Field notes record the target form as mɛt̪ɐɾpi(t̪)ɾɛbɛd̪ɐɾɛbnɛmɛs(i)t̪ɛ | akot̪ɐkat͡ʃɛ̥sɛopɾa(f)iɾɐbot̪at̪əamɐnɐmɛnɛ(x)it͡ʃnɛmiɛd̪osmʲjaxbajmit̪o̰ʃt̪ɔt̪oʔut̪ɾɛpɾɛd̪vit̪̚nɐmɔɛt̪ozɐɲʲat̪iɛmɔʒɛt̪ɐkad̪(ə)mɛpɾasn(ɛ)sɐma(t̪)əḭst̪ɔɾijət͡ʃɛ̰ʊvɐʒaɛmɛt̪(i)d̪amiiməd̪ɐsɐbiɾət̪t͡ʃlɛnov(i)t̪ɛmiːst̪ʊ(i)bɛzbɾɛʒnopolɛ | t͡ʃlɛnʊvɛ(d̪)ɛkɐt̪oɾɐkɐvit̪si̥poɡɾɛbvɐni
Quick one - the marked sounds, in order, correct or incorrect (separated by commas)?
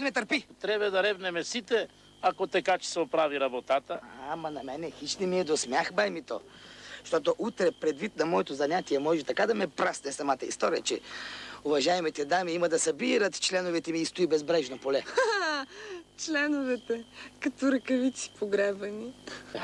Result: correct, correct, incorrect, correct, incorrect, correct, correct, incorrect, incorrect, correct, incorrect